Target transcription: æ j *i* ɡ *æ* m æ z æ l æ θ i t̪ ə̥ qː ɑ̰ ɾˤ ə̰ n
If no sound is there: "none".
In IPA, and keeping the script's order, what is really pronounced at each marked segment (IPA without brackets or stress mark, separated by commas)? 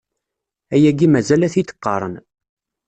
æ, i